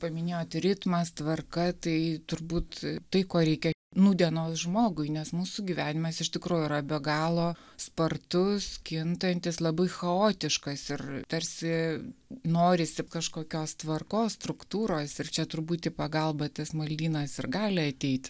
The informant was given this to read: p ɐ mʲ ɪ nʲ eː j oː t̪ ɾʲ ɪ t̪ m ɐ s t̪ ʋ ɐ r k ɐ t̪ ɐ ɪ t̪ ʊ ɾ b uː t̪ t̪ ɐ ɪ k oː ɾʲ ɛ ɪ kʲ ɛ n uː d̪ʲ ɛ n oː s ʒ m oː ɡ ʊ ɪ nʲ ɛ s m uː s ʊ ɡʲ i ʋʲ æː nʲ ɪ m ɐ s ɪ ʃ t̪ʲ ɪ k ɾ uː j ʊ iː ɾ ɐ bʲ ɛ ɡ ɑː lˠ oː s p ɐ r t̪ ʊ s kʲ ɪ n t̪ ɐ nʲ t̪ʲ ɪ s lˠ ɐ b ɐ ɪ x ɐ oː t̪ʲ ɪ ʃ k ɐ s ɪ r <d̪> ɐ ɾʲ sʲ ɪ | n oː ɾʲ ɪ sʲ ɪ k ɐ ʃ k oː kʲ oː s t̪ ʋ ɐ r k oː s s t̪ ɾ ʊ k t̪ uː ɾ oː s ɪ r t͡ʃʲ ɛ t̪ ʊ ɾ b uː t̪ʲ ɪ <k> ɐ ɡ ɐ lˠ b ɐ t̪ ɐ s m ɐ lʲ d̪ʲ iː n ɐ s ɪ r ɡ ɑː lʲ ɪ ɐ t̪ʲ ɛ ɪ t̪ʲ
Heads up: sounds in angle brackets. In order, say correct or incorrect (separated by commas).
incorrect, incorrect